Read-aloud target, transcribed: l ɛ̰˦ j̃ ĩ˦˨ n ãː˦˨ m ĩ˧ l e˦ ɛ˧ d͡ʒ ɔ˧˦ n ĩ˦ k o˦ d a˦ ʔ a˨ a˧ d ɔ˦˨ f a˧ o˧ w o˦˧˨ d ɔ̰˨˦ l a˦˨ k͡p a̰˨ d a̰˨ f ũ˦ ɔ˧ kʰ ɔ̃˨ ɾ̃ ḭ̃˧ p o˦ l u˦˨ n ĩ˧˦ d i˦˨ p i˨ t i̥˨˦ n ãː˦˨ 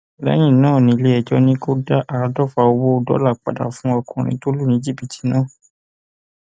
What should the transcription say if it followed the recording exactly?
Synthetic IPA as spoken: l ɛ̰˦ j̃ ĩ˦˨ n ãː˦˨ n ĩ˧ l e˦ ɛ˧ d͡ʒ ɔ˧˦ n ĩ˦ k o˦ d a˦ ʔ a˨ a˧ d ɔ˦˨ f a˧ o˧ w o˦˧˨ d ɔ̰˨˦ l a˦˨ k͡p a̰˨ d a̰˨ f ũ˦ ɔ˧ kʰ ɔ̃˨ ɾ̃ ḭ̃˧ t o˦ l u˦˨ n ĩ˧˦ d͡ʒ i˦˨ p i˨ t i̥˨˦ n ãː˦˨

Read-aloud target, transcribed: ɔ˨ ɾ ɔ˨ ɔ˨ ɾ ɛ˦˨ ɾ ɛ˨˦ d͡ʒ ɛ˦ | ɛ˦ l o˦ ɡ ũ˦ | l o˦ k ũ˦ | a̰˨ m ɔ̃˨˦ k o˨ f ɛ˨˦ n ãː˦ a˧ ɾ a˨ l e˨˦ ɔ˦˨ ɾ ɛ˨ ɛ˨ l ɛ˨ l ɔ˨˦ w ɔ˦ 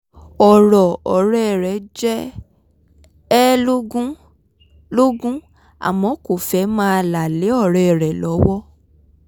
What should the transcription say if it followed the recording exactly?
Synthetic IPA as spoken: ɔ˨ ɾ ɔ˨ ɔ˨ ɾ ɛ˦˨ ɾ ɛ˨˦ d͡ʒ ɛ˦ | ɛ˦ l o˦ ɡ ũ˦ | l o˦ ɡ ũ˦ | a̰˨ m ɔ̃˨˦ k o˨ f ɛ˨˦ m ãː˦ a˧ l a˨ l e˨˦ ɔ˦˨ ɾ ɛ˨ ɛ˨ ɾ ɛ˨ l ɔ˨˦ w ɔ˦

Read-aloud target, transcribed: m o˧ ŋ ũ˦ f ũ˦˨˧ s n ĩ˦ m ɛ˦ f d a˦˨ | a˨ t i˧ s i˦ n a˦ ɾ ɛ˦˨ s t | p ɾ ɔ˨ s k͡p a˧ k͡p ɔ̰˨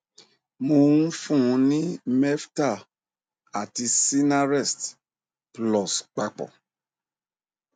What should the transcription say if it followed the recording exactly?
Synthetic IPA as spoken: m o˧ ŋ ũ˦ f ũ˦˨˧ n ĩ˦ m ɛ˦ f t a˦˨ | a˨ t i˧ s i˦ n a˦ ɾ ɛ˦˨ s t | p l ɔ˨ s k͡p a˧ k͡p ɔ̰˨

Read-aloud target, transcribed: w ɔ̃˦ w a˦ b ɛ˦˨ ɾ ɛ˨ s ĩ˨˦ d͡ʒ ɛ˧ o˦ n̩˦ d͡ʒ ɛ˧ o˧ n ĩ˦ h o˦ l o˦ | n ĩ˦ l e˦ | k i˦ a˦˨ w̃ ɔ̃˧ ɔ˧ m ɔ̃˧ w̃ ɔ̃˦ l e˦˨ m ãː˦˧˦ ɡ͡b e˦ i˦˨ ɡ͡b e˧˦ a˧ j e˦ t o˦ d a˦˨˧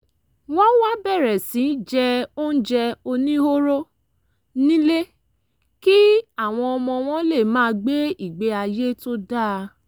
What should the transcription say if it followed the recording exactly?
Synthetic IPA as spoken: w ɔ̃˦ w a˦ b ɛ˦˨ ɾ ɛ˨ s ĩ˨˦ d͡ʒ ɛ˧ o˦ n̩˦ d͡ʒ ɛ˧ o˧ n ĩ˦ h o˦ ɾ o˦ | n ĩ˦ l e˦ | k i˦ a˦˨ w̃ ɔ̃˧ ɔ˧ m ɔ̃˧ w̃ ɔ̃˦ l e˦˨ m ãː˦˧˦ ɡ͡b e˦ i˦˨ ɡ͡b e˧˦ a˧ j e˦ t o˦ d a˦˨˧

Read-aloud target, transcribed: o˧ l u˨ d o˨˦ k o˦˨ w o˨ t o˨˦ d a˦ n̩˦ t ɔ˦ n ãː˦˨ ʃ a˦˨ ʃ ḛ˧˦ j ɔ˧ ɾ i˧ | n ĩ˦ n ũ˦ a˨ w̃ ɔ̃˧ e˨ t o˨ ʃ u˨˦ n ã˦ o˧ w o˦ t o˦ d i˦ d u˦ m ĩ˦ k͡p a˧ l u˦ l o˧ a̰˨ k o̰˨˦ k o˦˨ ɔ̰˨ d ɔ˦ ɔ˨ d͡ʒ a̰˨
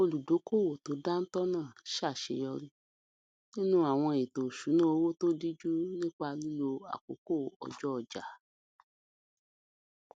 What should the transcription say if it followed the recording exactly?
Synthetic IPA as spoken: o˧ l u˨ d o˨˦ k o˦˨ w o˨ t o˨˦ d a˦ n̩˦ t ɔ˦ n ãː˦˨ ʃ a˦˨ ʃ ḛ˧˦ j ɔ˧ ɾ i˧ | n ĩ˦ n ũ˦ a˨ w̃ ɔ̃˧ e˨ t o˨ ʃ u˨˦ n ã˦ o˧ w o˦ t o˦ d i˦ d͡ʒ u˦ n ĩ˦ k͡p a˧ l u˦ l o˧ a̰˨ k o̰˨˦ k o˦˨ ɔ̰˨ d͡ʒ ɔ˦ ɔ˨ d͡ʒ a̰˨

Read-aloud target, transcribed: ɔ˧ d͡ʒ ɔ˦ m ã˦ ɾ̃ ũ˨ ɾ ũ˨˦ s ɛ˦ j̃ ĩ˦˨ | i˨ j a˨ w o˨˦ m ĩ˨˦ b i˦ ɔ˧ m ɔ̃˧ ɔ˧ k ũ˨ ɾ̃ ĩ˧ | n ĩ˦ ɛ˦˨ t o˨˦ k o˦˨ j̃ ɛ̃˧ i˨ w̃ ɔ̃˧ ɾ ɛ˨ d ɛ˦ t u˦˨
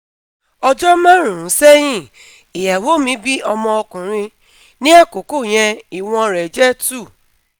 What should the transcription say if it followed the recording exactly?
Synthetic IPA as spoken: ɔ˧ d͡ʒ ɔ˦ m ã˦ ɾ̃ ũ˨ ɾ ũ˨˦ s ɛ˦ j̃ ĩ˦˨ | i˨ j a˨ w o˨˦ m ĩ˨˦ b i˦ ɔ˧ m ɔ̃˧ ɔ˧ k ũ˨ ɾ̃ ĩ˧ | n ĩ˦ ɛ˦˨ k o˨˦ k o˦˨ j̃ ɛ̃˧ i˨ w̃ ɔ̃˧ ɾ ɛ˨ d͡ʒ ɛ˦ t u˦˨

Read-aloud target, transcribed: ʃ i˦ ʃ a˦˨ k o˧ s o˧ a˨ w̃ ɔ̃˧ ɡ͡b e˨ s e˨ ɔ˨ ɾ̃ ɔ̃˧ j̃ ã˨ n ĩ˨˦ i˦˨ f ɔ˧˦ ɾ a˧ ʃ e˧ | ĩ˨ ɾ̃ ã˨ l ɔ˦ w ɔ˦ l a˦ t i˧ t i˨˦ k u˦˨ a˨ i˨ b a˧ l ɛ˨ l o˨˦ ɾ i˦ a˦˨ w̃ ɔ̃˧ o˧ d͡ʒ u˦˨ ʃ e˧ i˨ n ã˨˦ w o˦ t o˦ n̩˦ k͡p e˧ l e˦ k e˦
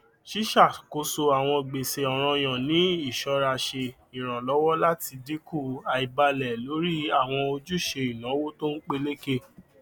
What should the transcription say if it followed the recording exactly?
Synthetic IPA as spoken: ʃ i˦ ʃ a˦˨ k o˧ s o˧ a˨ w̃ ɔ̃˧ ɡ͡b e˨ s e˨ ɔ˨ ɾ̃ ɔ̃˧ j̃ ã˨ n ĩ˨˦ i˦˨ ʃ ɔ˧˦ ɾ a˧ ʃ e˧ | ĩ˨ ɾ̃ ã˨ l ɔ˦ w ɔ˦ l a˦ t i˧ d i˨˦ k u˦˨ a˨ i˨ b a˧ l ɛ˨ l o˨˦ ɾ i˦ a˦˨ w̃ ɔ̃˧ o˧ d͡ʒ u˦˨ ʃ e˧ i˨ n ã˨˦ w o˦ t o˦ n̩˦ k͡p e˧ l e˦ k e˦

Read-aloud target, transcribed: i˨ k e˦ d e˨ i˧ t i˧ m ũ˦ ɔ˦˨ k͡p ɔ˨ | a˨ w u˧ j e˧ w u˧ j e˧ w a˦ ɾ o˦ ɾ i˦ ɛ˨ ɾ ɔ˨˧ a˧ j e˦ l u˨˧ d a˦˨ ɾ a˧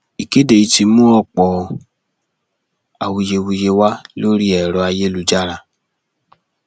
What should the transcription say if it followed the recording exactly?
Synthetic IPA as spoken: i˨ k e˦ d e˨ i˧ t i˧ m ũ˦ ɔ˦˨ k͡p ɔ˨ | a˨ w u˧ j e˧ w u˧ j e˧ w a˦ l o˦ ɾ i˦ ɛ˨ ɾ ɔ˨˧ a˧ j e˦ l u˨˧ d͡ʒ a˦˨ ɾ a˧

